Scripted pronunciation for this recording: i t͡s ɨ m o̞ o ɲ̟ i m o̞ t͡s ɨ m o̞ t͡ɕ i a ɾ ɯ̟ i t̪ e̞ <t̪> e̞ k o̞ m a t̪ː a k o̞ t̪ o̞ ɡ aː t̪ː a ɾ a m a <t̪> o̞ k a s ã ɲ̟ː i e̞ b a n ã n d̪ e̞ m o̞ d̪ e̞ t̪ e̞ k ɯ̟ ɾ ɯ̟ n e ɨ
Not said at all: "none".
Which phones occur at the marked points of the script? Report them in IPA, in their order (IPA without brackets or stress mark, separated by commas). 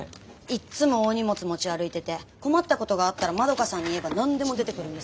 t̪, d̪